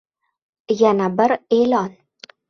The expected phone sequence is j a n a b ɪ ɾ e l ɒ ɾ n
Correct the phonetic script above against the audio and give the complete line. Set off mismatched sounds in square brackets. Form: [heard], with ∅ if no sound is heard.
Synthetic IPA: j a n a b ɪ ɾ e l ɒ [∅] n